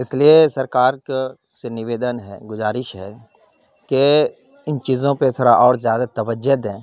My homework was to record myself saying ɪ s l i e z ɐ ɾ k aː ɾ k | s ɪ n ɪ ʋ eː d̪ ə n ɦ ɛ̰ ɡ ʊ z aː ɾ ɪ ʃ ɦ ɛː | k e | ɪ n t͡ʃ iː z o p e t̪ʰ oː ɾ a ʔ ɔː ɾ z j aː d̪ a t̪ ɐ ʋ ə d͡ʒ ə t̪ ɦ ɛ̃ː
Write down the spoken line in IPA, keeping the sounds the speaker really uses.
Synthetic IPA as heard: ɪ s l i e s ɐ ɾ k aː ɾ k | s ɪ n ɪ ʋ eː d̪ ə n ɦ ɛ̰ ɡ ʊ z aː ɾ ɪ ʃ ɦ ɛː | k e | ɪ n t͡ʃ iː z õ p e t̪ʰ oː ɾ a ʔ ɔː ɾ z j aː d̪ a t̪ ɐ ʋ ə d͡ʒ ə d̪ ɦ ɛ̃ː